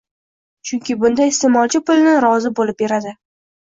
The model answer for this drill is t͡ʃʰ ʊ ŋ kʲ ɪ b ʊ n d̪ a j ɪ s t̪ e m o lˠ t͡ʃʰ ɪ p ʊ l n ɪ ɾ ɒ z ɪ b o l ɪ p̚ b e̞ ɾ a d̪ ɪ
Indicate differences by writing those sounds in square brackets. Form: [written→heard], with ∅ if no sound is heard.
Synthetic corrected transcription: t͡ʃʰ ʊ ŋ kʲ ɪ b ʊ n d̪ a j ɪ s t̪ e m [o→ɒ] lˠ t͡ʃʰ ɪ p ʊ l n ɪ ɾ ɒ z ɪ b o l ɪ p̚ b e̞ ɾ a d̪ ɪ